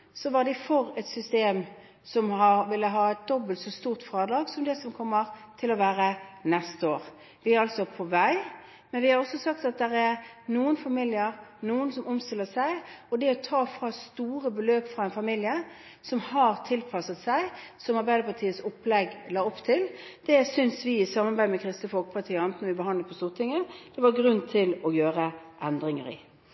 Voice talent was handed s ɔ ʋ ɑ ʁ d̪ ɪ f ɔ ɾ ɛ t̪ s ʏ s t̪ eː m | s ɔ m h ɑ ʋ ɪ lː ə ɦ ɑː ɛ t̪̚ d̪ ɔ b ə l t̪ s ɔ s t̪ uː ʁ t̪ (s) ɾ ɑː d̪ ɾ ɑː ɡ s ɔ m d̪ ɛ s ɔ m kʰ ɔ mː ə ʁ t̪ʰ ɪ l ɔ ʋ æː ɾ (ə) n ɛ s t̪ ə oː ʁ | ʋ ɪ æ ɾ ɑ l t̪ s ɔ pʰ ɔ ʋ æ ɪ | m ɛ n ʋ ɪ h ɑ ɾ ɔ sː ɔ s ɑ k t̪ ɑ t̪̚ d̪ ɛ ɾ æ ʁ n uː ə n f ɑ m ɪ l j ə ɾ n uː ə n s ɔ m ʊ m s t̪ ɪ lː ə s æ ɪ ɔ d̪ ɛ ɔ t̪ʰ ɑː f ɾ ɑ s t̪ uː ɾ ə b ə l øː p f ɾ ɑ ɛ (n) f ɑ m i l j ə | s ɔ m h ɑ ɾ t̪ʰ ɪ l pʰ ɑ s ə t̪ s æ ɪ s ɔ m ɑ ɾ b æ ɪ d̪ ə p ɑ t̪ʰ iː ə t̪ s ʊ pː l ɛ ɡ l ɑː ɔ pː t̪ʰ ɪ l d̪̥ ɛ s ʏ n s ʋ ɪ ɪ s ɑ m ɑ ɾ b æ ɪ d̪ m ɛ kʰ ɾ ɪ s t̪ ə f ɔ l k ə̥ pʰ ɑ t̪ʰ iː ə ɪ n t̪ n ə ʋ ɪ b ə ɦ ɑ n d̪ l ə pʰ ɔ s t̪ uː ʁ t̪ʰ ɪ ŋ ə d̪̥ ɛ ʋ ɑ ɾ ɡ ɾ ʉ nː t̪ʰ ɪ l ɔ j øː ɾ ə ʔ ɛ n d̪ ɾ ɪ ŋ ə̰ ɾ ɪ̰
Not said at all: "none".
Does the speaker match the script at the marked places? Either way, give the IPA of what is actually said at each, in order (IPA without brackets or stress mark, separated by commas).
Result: f, ə, n